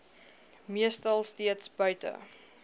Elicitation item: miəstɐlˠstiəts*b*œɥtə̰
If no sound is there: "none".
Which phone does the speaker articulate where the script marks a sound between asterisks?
b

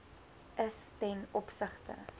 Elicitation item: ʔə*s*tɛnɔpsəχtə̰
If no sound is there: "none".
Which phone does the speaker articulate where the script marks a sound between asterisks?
s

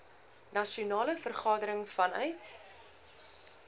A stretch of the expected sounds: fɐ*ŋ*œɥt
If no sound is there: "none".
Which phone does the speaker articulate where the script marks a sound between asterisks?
n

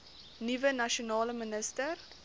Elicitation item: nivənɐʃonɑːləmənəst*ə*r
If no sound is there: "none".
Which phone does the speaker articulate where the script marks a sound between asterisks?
ə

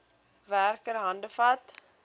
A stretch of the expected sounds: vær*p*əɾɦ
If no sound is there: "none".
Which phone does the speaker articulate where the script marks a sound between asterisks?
k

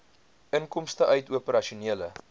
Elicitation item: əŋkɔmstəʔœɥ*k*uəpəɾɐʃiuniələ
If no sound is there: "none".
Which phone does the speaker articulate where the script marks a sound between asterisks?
t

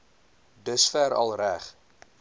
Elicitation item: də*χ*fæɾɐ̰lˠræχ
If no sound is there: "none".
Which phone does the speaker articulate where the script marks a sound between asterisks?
s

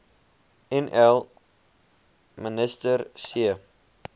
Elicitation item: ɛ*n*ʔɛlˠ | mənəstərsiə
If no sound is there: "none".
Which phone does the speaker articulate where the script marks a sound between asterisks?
n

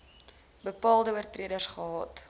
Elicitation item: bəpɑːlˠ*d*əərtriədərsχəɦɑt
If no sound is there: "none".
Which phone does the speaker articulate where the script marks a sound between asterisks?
d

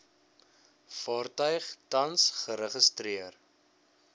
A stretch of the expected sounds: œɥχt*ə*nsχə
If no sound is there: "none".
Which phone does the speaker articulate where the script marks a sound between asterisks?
ɐ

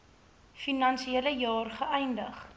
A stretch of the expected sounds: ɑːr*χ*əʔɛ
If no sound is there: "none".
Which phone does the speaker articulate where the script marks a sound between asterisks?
χ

